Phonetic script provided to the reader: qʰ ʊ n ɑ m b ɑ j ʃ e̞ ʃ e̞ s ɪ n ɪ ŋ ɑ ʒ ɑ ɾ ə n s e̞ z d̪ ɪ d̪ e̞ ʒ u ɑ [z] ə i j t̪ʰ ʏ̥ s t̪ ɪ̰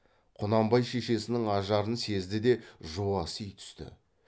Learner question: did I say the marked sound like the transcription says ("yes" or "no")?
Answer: no